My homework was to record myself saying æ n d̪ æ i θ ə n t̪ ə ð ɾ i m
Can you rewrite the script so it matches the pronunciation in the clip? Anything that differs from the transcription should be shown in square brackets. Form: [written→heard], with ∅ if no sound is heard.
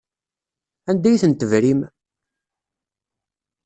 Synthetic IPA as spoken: æ n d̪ æ [i→j] θ ə n t̪ ə [ð→v] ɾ i m